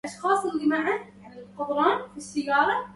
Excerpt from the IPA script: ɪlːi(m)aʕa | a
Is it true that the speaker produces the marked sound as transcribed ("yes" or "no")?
yes